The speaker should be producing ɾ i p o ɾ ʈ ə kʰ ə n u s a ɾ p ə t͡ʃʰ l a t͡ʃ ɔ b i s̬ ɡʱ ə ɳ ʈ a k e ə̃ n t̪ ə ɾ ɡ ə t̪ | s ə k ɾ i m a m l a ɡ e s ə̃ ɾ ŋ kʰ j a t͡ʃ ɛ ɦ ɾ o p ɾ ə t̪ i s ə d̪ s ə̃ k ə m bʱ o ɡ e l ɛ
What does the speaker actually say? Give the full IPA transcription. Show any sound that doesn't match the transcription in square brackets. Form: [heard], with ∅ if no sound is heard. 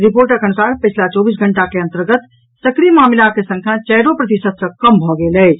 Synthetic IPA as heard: ɾ i p o ɾ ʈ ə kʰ ə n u s a ɾ p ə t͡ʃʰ l a t͡ʃ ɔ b i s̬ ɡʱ ə ɳ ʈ a k e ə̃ n t̪ ə ɾ ɡ ə t̪ | s ə k ɾ i m a m l a [k] e s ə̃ [∅] ŋ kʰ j a t͡ʃ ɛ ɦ ɾ o p ɾ ə t̪ i s ə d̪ s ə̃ k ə m bʱ [ɔ] ɡ e l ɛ